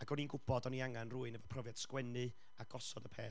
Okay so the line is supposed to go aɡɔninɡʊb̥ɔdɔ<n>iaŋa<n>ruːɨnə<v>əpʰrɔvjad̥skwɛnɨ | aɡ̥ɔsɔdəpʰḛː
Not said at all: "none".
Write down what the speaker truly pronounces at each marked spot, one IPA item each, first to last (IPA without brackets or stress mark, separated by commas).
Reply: n, n, v